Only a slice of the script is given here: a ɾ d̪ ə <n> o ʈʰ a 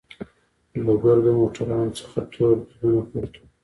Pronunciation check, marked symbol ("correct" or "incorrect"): incorrect